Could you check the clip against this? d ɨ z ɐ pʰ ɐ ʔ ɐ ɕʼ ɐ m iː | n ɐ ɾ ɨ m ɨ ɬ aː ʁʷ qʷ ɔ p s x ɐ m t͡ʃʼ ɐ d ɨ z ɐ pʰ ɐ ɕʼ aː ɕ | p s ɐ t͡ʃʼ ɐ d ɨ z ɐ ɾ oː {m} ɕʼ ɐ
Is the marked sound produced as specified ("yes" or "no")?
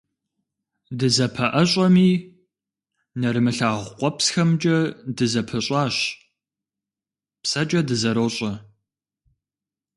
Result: no